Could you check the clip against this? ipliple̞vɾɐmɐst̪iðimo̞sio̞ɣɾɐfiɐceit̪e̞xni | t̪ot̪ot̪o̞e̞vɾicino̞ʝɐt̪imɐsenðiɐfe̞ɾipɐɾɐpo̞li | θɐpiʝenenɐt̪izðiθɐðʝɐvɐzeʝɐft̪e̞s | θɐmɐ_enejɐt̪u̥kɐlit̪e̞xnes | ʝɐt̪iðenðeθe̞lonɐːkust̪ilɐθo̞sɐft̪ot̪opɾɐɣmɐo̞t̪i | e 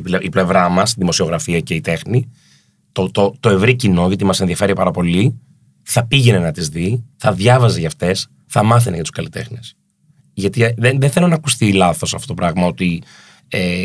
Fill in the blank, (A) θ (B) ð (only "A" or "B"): A